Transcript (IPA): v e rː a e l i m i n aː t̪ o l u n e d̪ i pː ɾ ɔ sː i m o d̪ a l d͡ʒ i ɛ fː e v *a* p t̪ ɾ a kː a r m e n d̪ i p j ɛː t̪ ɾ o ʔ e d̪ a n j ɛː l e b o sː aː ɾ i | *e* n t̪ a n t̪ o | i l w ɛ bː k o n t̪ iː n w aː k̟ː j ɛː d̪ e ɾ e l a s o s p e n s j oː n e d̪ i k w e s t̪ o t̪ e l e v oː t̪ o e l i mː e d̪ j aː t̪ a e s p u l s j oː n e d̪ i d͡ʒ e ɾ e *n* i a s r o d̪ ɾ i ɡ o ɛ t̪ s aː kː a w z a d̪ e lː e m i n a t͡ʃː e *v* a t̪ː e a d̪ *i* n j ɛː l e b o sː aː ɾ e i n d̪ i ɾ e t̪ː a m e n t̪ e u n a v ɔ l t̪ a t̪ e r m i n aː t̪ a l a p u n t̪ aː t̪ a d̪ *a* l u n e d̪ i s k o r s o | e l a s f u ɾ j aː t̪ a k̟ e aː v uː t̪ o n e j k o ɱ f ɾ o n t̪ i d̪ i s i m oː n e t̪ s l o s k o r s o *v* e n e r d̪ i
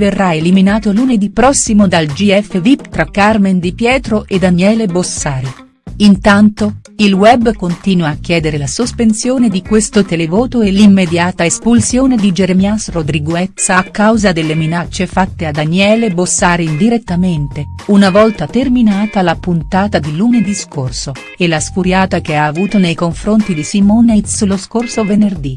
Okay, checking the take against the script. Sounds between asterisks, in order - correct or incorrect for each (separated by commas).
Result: incorrect, incorrect, incorrect, incorrect, incorrect, incorrect, correct